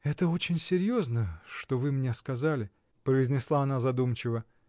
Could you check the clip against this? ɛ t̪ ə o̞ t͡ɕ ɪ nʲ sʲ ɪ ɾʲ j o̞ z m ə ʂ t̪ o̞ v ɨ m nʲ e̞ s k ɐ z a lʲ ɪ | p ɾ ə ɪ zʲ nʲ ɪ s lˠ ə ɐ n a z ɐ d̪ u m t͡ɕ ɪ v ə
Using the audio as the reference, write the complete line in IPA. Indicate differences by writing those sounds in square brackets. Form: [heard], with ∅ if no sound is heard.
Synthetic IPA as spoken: ɛ t̪ ə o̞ t͡ɕ ɪ nʲ sʲ ɪ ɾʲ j o̞ z [n] ə ʂ t̪ o̞ v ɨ m nʲ e̞ s k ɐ z a lʲ ɪ | p ɾ ə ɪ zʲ nʲ ɪ s lˠ [a] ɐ n a z ɐ d̪ u m t͡ɕ ɪ v ə